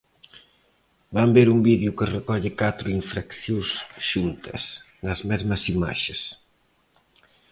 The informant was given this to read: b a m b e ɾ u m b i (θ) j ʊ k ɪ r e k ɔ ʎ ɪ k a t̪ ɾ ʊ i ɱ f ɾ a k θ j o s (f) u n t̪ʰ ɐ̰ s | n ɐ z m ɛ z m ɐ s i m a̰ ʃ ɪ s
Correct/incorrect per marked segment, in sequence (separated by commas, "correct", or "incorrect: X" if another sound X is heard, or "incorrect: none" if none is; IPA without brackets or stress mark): incorrect: ð, incorrect: ʃ